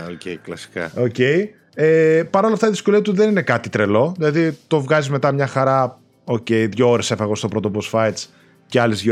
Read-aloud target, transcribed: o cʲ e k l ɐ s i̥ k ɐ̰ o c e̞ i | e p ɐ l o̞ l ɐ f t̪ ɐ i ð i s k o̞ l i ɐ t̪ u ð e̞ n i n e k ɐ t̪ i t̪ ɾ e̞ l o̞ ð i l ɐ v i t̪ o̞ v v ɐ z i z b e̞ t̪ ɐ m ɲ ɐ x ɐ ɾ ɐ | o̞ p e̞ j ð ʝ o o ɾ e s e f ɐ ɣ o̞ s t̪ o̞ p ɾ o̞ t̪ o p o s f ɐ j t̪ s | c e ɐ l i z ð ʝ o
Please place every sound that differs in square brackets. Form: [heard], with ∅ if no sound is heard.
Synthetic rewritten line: o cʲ e k l ɐ s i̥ k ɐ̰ o c e̞ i | e p ɐ [ɾ] o̞ l ɐ f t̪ ɐ i ð i s k o̞ l i ɐ t̪ u ð e̞ n i n e k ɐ t̪ i t̪ ɾ e̞ l o̞ ð i l ɐ [ð] i t̪ o̞ v [ɣ] ɐ z i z [m] e̞ t̪ ɐ m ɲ ɐ x ɐ ɾ ɐ | o̞ [c] e̞ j ð ʝ o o ɾ e s e f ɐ ɣ o̞ s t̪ o̞ p ɾ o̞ t̪ o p o s f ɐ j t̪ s | c e ɐ l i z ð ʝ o